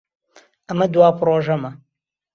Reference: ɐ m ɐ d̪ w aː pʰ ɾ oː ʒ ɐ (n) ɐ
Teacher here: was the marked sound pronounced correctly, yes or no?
no